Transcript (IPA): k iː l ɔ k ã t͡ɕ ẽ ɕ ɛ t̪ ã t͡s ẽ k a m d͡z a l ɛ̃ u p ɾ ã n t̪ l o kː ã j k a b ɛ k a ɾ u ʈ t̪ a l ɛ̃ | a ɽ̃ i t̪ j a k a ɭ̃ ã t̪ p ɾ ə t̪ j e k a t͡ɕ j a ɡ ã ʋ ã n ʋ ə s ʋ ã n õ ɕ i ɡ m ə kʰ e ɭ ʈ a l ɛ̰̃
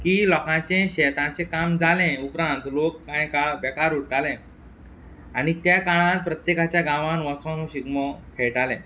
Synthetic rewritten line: k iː l ɔ k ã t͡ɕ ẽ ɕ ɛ t̪ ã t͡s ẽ k a m d͡z a l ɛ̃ u p ɾ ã n t̪ l o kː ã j k a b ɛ k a ɾ u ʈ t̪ a l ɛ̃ | a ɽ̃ i t̪ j a k a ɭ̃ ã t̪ p ɾ ə t̪ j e k a t͡ɕ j a ɡ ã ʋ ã n ʋ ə s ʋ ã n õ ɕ i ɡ m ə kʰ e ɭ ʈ a l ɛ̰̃